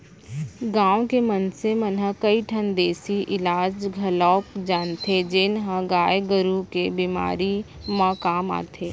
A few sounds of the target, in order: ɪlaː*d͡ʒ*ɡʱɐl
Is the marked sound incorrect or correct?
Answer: correct